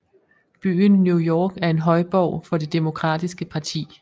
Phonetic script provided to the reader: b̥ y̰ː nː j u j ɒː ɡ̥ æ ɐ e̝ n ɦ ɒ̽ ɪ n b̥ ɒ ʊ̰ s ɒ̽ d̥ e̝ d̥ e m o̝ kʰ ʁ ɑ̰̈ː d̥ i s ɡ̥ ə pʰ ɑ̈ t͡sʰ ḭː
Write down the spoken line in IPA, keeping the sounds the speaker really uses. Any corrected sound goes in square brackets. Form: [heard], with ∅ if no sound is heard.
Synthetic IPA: b̥ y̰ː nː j u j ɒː ɡ̥ æ ɐ e̝ n ɦ ɒ̽ ɪ [∅] b̥ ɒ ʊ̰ [f] ɒ̽ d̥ e̝ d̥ e m o̝ kʰ ʁ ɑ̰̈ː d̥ i s ɡ̥ ə pʰ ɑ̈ t͡sʰ ḭː